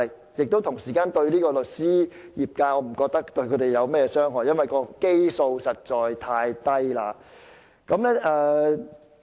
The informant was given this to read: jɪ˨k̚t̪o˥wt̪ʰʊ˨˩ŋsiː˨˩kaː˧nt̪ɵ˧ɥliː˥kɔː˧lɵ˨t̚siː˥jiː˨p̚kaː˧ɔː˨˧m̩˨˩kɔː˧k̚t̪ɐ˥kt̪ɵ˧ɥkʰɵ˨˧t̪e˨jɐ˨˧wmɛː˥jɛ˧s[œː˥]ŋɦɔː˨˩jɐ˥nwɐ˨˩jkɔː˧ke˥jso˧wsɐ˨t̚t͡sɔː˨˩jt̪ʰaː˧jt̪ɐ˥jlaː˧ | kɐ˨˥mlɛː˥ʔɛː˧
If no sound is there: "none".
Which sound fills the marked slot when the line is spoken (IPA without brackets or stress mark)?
œː˥